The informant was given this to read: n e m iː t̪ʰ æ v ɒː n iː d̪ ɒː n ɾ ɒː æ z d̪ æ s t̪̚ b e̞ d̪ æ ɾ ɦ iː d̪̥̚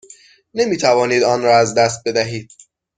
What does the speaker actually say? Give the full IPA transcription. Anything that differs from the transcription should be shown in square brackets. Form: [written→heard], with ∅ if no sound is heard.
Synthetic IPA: n e m iː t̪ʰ æ v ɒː n iː d̪ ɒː n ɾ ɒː æ z d̪ æ s t̪̚ b e̞ d̪ æ [ɾ→∅] ɦ iː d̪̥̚